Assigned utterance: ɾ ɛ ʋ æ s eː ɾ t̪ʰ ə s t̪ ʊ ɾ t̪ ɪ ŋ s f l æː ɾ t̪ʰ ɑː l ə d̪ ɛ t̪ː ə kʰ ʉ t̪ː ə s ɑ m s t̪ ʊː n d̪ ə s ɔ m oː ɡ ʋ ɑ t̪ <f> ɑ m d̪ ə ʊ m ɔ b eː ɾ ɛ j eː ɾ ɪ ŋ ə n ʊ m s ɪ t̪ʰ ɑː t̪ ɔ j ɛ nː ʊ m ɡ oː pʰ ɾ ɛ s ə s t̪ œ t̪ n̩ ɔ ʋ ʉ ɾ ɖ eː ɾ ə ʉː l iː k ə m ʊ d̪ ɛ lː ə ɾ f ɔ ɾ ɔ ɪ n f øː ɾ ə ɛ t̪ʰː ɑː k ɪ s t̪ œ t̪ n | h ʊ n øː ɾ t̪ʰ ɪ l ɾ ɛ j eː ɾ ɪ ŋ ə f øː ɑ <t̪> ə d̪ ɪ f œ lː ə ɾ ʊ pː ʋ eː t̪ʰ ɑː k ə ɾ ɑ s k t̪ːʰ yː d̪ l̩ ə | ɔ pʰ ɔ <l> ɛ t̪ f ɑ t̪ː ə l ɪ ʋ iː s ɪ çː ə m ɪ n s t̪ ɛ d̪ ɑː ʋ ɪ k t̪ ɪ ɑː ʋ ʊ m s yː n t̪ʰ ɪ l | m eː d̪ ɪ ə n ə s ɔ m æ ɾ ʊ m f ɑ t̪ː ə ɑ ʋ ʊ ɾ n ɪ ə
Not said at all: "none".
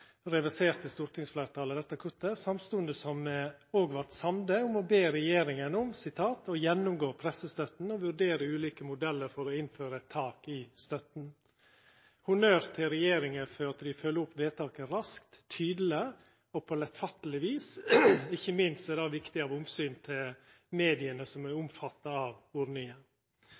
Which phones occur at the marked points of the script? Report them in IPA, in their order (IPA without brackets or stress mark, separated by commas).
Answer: s, t̪, l